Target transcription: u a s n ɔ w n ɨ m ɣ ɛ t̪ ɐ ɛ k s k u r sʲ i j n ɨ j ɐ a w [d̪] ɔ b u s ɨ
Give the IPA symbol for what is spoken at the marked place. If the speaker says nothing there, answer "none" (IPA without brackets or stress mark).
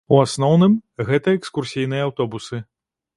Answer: t̪